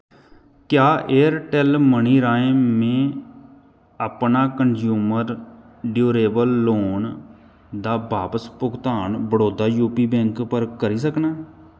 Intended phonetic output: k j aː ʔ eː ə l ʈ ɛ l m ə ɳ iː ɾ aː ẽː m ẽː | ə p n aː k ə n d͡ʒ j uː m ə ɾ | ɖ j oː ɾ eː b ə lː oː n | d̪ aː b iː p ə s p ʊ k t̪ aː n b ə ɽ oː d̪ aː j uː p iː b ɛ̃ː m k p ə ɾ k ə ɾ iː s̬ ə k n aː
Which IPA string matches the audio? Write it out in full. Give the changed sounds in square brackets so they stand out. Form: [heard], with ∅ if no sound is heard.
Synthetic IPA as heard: k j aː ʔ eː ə [ɾ] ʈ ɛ l m ə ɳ iː ɾ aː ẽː m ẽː | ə p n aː k ə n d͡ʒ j uː m ə ɾ | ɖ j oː ɾ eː b ə lː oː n | d̪ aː b [aː] p ə s p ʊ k t̪ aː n b ə ɽ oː d̪ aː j uː p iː b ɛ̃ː [ŋ] k p ə ɾ k ə ɾ iː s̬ ə k n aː